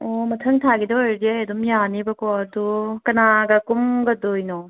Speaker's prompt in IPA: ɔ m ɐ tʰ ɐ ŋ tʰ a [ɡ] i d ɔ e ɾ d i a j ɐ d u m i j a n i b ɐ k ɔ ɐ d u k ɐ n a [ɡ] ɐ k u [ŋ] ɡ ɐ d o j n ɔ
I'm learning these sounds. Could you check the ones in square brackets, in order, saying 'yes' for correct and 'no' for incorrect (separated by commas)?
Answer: yes, yes, no